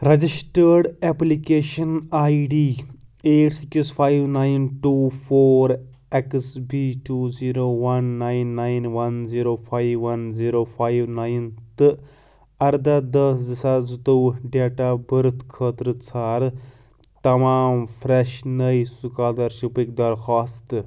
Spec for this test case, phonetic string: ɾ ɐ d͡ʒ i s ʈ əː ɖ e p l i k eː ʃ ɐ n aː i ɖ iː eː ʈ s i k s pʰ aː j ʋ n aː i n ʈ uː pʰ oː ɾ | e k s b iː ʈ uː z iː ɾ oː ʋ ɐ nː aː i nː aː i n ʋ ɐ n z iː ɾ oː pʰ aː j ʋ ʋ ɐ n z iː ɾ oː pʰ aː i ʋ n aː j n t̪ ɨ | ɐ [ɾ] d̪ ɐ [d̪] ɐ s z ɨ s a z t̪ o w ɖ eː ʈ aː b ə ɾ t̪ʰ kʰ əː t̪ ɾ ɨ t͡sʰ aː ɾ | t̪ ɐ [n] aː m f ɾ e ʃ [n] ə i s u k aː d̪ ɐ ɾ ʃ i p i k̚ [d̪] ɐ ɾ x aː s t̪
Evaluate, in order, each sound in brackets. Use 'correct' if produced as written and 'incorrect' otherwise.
correct, correct, incorrect: m, correct, correct

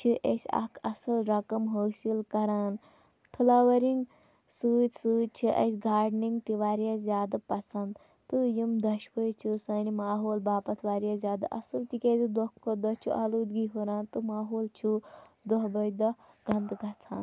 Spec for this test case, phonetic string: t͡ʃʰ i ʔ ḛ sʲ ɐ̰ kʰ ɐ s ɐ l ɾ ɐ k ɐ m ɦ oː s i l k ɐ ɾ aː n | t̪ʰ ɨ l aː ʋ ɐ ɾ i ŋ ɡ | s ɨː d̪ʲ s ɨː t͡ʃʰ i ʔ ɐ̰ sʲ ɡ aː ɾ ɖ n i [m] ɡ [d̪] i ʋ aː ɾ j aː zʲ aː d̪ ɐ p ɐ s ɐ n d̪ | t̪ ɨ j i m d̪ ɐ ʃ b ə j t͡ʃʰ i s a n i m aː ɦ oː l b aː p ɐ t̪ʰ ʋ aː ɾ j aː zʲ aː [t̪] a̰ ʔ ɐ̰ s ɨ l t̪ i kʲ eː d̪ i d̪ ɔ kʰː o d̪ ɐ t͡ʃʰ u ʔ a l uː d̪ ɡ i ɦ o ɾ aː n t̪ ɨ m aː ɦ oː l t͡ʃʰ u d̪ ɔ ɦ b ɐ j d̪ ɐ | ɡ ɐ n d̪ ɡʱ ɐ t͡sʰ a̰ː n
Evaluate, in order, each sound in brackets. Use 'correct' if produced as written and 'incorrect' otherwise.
incorrect: ŋ, incorrect: t̪, incorrect: d̪

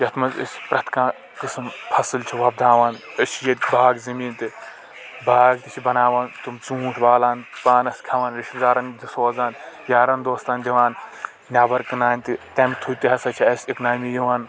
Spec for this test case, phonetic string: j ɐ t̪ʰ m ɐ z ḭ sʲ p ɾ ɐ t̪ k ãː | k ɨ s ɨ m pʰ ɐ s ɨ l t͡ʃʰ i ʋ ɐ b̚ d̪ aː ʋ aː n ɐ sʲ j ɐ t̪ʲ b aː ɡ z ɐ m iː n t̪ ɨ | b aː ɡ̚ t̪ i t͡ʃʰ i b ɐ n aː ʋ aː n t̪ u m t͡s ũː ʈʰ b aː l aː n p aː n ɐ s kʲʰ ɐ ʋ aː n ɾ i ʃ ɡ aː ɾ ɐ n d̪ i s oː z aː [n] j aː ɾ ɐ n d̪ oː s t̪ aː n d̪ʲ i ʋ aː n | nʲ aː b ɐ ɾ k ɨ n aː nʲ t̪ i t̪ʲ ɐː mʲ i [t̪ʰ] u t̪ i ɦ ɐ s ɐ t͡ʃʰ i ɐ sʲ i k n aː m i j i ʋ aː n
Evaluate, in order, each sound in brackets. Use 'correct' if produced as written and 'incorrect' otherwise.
correct, correct

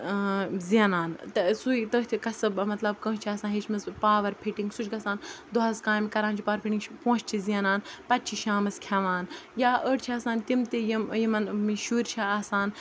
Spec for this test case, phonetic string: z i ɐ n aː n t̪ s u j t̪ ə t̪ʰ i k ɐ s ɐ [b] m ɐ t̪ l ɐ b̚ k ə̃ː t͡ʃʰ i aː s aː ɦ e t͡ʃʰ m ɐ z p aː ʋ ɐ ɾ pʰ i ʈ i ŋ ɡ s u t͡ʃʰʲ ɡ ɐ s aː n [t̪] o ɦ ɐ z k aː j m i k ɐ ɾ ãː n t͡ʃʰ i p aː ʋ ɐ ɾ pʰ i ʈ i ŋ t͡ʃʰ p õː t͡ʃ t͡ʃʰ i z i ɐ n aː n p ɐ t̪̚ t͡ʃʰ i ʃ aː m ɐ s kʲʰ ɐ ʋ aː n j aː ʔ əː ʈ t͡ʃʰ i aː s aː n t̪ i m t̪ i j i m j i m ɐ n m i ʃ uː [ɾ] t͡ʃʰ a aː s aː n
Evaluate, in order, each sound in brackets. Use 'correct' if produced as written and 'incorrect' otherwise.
correct, incorrect: d̪, correct

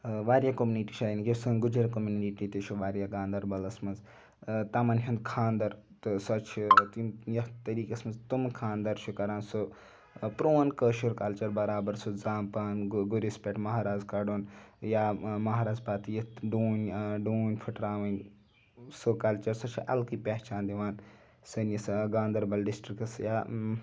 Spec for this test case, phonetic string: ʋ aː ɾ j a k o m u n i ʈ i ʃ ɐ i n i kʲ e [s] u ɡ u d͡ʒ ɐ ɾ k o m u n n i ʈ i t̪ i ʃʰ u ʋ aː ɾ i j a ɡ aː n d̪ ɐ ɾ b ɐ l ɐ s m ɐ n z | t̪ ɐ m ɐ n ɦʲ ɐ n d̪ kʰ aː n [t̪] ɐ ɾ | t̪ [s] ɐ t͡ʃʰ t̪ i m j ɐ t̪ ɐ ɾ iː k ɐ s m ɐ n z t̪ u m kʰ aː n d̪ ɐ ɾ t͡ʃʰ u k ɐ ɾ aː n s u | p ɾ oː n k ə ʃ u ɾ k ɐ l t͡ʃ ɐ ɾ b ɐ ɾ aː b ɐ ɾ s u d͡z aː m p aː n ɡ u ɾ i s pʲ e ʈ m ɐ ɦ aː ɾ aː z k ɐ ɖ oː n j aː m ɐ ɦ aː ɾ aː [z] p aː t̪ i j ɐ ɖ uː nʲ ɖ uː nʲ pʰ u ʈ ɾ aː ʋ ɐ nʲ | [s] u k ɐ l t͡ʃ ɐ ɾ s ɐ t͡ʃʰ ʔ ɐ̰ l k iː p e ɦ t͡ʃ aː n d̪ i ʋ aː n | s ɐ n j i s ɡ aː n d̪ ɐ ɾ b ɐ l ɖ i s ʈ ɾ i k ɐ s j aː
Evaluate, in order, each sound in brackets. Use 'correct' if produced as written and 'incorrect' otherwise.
correct, incorrect: d̪, correct, correct, correct

